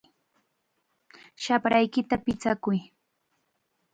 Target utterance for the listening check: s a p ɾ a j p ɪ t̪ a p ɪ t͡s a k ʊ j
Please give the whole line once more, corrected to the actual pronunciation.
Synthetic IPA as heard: ʃ a p ɾ a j k ɪ t̪ a p ɪ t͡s a k ʊ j